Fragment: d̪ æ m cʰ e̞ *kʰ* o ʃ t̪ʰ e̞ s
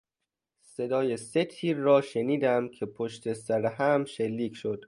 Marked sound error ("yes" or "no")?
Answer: yes